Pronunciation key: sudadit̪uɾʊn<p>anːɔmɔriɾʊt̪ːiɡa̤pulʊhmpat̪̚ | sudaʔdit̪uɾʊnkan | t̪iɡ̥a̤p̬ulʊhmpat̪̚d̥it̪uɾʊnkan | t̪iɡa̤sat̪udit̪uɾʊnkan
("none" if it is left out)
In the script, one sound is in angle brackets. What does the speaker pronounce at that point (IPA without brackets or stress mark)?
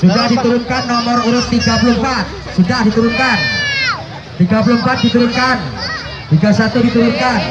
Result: k